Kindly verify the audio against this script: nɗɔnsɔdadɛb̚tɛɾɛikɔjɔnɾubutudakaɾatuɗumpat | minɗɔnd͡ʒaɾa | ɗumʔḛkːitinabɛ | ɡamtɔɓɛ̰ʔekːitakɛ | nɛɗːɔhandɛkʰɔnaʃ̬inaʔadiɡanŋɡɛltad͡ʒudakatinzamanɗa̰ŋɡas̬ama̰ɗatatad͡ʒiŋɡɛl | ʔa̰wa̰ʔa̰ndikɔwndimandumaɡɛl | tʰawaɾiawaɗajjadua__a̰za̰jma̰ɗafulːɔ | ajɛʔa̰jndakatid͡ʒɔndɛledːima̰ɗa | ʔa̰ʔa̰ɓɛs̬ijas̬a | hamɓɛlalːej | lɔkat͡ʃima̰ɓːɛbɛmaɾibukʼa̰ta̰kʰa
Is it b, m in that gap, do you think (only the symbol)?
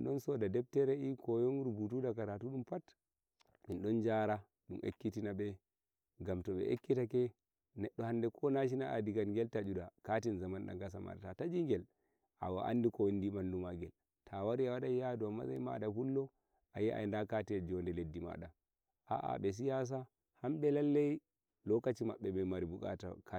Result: m